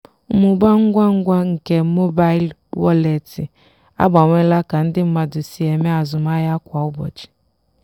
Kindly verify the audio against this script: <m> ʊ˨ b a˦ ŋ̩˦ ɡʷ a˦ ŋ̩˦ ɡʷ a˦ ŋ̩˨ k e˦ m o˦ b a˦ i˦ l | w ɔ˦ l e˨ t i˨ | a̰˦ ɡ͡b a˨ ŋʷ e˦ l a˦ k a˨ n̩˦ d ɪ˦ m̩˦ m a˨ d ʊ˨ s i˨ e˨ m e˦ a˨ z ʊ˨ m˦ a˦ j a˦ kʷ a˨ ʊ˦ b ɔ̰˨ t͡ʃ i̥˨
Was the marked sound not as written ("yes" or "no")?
no